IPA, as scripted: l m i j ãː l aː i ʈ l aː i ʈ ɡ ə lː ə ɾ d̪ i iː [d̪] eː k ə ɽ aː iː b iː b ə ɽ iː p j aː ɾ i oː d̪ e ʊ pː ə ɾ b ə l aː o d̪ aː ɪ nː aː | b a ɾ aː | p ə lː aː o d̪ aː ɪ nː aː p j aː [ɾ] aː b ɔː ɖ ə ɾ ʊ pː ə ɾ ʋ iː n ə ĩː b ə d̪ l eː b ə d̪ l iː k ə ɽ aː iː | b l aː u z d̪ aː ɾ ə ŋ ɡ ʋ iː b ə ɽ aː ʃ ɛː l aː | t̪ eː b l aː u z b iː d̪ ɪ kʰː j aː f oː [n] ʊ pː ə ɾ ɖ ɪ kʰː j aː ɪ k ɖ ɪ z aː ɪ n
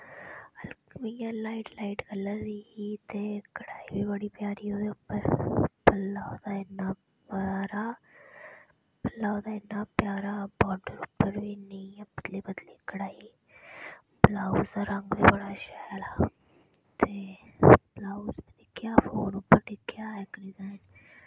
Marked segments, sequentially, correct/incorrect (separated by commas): incorrect, correct, correct